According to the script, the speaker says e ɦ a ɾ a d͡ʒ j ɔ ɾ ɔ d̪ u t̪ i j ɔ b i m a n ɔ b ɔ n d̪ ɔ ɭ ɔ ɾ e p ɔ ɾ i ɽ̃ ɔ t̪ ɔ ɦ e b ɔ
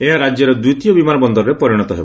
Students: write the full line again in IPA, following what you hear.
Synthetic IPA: e ɦ a ɾ a d͡ʒ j ɔ ɾ ɔ d̪ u t̪ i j ɔ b i m a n ɔ b ɔ n d̪ ɔ ɾ ɔ ɾ e p ɔ ɾ i ɽ̃ ɔ t̪ ɔ ɦ e b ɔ